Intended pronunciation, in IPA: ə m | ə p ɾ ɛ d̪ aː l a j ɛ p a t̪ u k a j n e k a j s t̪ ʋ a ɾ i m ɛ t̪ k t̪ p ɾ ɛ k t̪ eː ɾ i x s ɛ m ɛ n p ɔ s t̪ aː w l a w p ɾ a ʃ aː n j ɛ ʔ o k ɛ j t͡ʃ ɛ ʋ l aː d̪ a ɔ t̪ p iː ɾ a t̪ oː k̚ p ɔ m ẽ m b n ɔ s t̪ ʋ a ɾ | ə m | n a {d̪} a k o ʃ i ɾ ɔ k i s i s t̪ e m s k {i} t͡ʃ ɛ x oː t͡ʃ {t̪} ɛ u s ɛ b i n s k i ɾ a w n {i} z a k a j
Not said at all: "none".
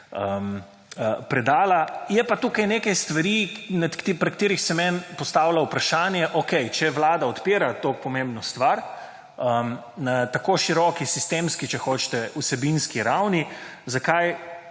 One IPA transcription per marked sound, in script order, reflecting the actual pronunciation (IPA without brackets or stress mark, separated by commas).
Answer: t̪, i, t̪, i